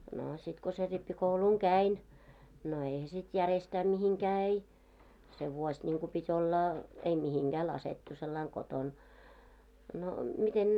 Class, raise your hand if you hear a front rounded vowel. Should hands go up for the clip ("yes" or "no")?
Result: no